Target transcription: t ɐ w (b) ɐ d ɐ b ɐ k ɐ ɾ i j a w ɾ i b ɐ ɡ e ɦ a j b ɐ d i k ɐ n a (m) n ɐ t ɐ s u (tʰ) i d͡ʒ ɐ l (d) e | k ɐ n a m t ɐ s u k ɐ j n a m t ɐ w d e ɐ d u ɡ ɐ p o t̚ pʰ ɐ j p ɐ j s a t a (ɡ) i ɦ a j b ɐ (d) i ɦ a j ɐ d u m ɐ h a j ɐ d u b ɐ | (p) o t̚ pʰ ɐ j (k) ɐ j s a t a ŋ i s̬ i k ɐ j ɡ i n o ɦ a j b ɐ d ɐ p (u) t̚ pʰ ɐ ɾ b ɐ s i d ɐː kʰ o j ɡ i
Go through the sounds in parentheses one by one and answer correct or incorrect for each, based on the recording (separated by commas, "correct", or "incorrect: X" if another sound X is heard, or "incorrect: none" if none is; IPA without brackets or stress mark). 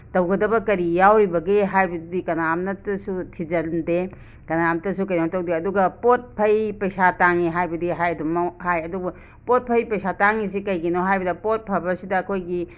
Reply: incorrect: ɡ, correct, correct, correct, incorrect: ŋ, correct, correct, incorrect: p, incorrect: o